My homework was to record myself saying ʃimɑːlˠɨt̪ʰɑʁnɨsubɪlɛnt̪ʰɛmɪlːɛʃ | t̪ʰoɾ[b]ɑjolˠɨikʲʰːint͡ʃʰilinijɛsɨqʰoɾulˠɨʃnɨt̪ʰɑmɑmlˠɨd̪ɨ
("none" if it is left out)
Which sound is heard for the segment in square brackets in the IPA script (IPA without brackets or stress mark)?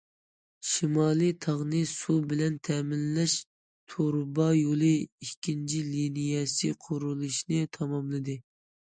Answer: b